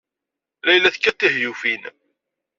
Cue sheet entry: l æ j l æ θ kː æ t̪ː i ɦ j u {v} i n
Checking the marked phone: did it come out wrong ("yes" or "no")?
yes